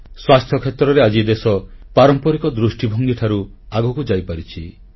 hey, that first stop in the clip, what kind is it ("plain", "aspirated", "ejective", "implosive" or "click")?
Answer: aspirated